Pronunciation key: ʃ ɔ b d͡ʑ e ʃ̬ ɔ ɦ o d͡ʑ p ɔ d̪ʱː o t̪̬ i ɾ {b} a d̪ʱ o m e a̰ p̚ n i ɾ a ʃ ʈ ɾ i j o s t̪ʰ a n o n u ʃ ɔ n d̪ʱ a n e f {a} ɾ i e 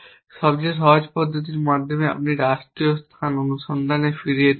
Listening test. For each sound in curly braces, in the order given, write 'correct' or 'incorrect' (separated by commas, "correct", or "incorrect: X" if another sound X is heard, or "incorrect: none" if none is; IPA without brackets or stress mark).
incorrect: m, incorrect: i